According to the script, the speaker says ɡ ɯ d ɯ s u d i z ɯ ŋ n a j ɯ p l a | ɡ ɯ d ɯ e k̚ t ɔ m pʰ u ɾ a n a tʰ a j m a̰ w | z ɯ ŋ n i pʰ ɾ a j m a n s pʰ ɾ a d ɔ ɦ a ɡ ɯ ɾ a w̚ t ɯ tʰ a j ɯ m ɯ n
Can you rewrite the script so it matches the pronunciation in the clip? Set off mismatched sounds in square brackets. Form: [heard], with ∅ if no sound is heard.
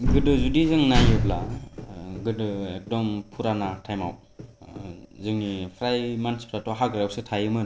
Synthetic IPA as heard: ɡ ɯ d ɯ [z] u d i z ɯ ŋ n a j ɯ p l a | ɡ ɯ d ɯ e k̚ [d] ɔ m pʰ u ɾ a n a tʰ a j m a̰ w | z ɯ ŋ n i pʰ ɾ a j m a n s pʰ ɾ a [t] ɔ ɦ a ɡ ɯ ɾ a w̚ [s] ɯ tʰ a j ɯ m ɯ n